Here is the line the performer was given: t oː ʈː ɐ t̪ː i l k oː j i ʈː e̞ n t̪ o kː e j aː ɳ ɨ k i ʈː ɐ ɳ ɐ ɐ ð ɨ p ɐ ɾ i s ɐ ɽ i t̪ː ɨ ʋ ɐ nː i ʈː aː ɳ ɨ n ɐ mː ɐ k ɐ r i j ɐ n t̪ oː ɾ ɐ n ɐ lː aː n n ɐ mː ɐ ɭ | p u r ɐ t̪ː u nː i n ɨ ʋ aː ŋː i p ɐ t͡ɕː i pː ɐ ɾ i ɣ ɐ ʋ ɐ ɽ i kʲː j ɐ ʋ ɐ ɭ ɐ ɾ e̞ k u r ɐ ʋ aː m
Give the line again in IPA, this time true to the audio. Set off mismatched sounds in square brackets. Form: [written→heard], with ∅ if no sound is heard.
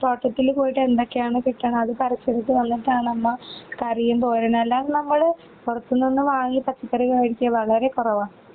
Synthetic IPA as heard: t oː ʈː ɐ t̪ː i l k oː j i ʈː e̞ n [t̪→d̪] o kː e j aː ɳ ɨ k i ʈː ɐ ɳ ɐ ɐ ð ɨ p ɐ ɾ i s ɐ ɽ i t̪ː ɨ ʋ ɐ nː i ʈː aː ɳ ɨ n ɐ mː ɐ k ɐ r i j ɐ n t̪ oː ɾ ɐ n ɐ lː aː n n ɐ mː ɐ ɭ | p u r ɐ t̪ː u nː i [n→nː] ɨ ʋ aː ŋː i p ɐ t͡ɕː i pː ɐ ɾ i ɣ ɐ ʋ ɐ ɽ i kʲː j ɐ ʋ ɐ ɭ ɐ ɾ e̞ k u r ɐ ʋ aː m